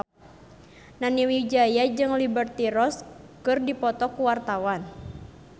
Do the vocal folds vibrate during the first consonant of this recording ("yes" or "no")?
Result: yes